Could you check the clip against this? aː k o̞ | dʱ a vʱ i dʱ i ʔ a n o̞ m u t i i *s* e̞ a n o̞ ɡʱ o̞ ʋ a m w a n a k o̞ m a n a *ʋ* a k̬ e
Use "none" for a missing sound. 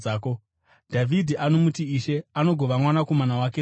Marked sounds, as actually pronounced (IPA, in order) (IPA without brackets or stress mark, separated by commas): ʃ, w